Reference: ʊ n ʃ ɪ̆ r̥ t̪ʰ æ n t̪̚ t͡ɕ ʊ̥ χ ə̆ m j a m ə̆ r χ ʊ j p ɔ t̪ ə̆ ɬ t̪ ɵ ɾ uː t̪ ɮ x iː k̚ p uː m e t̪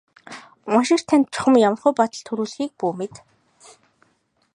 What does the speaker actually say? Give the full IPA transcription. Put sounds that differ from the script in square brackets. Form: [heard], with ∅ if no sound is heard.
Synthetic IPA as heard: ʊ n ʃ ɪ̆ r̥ t̪ʰ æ n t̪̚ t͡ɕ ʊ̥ χ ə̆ m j a m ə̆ r χ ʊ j p ɔ t̪ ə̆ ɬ [t̪ʰ] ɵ ɾ uː [∅] ɮ x iː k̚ p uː m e t̪